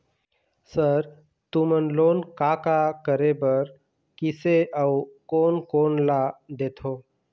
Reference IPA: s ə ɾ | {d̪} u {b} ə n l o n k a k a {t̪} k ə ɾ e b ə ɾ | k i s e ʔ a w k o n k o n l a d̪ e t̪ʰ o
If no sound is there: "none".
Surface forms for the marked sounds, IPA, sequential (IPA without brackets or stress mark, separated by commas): t̪, m, none